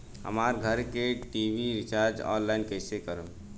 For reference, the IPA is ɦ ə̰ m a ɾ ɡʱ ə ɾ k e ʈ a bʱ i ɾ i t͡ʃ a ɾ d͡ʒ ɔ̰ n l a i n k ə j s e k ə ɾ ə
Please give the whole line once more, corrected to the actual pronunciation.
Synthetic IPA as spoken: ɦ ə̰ m a ɾ ɡʱ ə ɾ k e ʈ i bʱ i ɾ i t͡ʃ a ɾ d͡ʒ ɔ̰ n l a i n k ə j s e k ə ɾ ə